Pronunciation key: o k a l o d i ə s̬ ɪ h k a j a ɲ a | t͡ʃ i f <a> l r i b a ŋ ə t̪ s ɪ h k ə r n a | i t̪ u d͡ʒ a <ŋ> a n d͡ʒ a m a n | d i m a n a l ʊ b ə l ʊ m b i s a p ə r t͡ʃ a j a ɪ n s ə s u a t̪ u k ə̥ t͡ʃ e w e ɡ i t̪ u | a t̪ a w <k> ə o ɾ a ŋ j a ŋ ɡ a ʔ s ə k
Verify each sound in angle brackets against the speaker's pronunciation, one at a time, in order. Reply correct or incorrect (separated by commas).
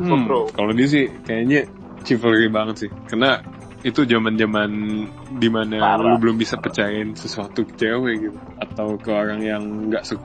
incorrect, incorrect, correct